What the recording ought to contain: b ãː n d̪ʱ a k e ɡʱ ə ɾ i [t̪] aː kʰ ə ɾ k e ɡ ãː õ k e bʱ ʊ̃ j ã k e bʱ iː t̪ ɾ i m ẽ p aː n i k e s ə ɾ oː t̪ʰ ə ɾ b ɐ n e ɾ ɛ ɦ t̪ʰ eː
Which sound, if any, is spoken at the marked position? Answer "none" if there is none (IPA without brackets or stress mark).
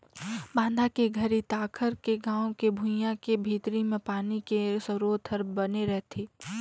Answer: t̪